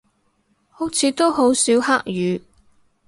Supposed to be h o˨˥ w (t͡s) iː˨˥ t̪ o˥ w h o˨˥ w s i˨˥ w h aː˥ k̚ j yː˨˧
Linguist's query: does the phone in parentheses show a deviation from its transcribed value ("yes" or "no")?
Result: yes